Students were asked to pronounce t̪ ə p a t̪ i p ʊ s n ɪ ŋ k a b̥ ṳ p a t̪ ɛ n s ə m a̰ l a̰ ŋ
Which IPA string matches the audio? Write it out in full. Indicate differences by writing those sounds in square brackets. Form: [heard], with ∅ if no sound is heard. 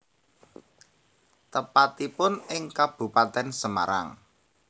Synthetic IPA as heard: t̪ ə p a t̪ i p ʊ [∅] n ɪ ŋ k a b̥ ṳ p a t̪ ɛ n s ə m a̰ [ɾ] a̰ ŋ